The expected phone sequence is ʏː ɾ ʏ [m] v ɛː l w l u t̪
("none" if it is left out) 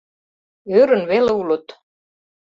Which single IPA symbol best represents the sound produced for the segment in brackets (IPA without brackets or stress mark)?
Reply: n